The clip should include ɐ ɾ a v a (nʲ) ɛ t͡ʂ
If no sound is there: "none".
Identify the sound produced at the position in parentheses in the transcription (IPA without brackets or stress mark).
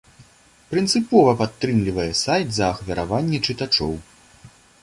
nʲː